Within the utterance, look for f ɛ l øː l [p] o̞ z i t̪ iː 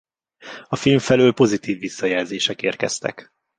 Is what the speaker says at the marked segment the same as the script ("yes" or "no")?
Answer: yes